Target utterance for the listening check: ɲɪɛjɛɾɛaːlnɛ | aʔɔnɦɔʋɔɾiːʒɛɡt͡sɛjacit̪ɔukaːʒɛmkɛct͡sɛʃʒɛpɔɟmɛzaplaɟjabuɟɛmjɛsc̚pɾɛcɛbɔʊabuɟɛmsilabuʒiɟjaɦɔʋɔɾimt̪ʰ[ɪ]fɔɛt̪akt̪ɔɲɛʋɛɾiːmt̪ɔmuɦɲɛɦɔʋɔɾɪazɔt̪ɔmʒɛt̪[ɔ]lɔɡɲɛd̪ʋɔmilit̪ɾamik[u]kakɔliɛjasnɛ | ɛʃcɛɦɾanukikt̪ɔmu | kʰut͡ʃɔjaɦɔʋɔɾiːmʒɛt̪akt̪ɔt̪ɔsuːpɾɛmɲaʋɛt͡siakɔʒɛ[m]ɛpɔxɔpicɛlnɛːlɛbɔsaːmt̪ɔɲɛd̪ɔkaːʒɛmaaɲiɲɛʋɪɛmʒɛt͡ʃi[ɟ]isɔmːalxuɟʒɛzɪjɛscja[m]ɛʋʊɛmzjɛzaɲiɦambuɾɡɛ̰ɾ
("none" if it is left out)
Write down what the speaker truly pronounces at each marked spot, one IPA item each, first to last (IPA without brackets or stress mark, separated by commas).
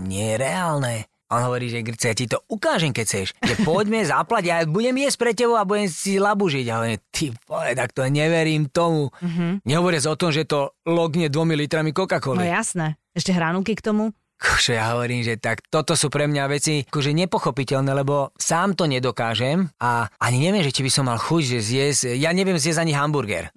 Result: i, ɔ, ɔ, ɲ, b, ɲ